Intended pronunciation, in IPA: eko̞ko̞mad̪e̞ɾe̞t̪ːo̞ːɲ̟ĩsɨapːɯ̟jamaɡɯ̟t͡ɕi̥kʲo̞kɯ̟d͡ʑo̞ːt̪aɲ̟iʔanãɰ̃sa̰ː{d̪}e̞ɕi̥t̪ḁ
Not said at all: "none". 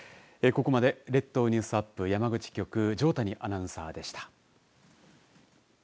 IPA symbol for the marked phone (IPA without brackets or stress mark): d̪